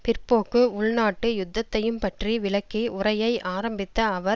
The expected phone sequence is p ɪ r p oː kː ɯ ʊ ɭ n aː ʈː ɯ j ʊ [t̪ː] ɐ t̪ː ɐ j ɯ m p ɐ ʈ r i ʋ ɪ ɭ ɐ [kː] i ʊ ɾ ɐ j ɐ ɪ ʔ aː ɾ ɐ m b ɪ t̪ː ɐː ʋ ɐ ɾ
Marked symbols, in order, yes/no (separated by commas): no, yes